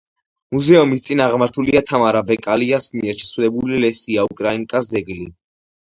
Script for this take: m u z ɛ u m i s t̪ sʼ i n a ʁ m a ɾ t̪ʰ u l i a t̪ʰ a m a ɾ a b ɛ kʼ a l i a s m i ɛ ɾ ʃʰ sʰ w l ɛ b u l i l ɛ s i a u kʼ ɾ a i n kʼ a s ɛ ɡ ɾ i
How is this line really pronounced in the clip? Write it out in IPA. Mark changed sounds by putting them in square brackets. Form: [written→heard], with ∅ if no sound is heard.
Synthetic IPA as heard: m u z ɛ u m i s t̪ sʼ i n a ʁ m a ɾ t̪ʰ u l i a t̪ʰ a m a ɾ a b ɛ kʼ a l i a s m i ɛ ɾ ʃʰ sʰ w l ɛ b u l i l ɛ s i a u kʼ ɾ a i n kʼ a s ɛ ɡ [ɾ→l] i